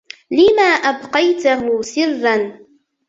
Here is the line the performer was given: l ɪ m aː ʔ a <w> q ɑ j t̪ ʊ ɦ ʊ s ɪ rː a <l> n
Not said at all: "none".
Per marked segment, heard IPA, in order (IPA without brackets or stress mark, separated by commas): b, none